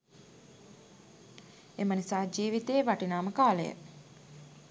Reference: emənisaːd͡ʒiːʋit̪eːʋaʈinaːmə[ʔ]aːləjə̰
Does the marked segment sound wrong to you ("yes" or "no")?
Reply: yes